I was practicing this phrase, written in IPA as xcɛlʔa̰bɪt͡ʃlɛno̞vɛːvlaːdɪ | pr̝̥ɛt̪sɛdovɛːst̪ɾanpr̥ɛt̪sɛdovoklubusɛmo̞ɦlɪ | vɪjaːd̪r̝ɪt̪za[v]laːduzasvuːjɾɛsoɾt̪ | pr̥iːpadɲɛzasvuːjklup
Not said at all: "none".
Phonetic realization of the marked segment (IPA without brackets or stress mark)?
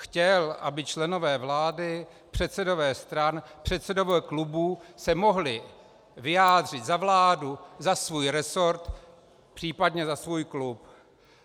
v